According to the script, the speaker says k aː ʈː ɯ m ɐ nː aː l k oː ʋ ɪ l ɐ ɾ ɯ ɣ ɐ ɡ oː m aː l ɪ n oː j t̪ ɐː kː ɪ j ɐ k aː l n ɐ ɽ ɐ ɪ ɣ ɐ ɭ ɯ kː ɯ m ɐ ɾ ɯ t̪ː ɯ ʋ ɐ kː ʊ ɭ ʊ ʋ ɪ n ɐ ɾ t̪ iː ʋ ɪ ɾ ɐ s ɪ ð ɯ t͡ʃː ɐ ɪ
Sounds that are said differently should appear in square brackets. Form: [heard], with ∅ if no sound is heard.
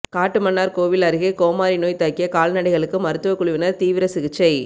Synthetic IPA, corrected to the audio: k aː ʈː ɯ m ɐ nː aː [ɾ] k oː ʋ ɪ l ɐ ɾ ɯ ɣ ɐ [k] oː m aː [ɾ] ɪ n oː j t̪ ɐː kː ɪ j ɐ k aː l n ɐ ɽ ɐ ɪ ɣ ɐ ɭ ɯ kː ɯ m ɐ ɾ ɯ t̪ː ɯ ʋ ɐ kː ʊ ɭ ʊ ʋ ɪ n ɐ ɾ t̪ iː ʋ ɪ ɾ ɐ s ɪ [ɣ] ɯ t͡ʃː ɐ ɪ